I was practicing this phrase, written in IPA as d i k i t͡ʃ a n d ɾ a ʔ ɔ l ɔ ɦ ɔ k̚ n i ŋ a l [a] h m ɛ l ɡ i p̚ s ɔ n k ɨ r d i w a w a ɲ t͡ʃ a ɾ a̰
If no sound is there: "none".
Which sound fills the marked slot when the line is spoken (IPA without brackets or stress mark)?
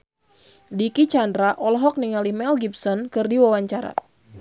i